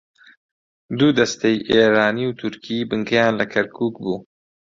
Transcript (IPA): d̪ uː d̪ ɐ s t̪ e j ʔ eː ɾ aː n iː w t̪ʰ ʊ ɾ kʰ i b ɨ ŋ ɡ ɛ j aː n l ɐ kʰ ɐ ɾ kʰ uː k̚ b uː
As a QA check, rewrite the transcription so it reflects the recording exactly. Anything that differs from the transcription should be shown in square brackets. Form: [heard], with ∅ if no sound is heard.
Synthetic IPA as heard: d̪ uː d̪ ɐ s t̪ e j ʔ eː ɾ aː n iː w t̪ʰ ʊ ɾ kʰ i b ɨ ŋ ɡ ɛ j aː n l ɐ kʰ ɐ ɾ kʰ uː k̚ b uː